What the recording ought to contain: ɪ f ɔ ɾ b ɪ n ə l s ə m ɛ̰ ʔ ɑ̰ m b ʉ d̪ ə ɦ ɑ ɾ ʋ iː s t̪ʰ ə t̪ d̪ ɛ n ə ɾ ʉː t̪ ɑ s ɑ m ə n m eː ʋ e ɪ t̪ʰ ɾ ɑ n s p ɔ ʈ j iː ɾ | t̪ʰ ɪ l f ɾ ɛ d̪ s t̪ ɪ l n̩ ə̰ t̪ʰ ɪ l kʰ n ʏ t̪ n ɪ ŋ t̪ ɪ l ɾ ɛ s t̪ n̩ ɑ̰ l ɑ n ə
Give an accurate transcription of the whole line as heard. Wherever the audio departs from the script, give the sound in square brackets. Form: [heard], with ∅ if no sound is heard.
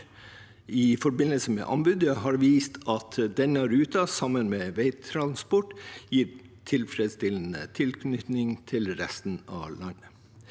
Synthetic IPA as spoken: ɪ f ɔ ɾ b ɪ n ə l s ə m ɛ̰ ʔ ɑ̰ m b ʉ d̪ ə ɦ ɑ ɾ ʋ iː s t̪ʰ [ɑ] t̪ d̪ ɛ n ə ɾ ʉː t̪ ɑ s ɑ m ə n m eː ʋ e ɪ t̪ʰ ɾ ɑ n s p ɔ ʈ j iː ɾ | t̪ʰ ɪ l f ɾ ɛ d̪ s t̪ ɪ l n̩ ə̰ t̪ʰ ɪ l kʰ n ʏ t̪ n ɪ ŋ [t̪ʰ] ɪ l ɾ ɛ s t̪ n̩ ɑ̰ l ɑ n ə